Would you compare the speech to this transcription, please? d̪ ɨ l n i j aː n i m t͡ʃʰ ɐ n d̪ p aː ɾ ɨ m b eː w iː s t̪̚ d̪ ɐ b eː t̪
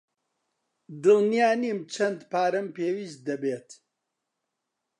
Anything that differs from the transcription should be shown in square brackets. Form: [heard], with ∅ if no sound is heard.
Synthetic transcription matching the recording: d̪ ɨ l n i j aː n i m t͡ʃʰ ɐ n d̪ p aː ɾ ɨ m [p] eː w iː s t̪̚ d̪ ɐ b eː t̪